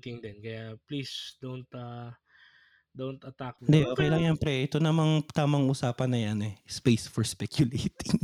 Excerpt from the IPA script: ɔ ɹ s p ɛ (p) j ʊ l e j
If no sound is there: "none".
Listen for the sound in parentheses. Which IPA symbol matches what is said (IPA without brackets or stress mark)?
k